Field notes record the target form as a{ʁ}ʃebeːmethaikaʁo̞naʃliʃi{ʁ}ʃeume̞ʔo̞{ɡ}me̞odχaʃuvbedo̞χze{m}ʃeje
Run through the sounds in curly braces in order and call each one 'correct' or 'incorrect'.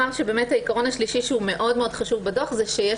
correct, incorrect: none, incorrect: d, incorrect: none

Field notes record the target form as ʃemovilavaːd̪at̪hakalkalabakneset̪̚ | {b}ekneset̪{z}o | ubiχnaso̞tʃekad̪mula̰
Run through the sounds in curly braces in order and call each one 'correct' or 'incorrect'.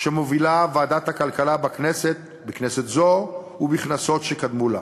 correct, correct

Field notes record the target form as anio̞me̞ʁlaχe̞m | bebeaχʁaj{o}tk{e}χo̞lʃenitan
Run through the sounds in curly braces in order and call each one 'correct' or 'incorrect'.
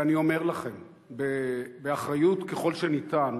incorrect: u, correct

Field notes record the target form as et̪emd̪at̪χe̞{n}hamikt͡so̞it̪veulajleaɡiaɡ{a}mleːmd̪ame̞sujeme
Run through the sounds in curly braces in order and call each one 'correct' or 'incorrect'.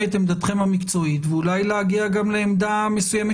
incorrect: m, correct

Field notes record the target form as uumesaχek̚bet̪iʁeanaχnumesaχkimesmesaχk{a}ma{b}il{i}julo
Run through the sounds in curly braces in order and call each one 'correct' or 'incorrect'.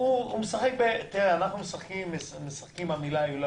incorrect: i, incorrect: m, incorrect: a

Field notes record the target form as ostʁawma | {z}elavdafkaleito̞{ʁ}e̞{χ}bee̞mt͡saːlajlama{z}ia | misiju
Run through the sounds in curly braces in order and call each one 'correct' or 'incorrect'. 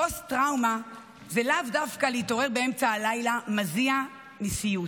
correct, correct, incorrect: ʁ, correct

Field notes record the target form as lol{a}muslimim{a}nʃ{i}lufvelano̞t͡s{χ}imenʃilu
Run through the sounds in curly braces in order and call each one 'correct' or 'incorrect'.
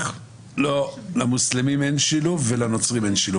correct, incorrect: e, correct, incorrect: ʁ

